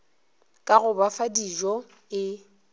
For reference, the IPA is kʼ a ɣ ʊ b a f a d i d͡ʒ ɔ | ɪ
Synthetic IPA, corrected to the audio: kʼ a ɣ ʊ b a f a d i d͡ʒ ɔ | ɪ